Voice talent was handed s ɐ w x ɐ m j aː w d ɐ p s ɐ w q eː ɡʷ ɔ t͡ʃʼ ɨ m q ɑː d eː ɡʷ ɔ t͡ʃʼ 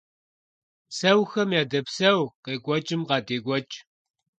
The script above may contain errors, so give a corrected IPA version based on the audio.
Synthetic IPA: s ɐ w x ɐ m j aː d ɐ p s ɐ w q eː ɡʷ ɔ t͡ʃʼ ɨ m q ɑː d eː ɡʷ ɔ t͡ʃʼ